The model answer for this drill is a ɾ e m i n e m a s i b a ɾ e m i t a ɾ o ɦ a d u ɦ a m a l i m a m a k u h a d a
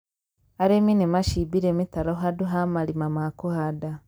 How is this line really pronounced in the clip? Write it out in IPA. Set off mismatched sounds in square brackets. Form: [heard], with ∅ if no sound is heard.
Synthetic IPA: a ɾ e m i n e m a [ʃ] i b [i] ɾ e m i t a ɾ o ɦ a d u ɦ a m a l i m a m a k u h a d a